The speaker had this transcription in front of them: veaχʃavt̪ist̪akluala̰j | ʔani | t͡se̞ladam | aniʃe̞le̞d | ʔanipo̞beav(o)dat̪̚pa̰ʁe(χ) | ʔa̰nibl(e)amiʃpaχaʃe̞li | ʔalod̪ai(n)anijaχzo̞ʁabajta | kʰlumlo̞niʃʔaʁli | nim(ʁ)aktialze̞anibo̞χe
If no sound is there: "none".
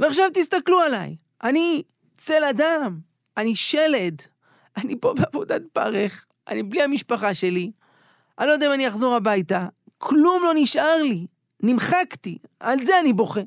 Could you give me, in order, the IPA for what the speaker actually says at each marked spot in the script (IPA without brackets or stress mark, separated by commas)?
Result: o, χ, i, m, χ